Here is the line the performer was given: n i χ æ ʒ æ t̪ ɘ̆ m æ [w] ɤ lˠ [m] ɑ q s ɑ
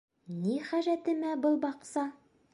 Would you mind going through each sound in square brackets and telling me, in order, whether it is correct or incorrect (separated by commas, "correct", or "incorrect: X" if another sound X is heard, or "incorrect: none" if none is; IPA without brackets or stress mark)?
incorrect: b, incorrect: b